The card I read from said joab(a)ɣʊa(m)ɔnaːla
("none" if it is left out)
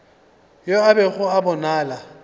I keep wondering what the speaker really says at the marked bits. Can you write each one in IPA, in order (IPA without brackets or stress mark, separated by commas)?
ɛ, b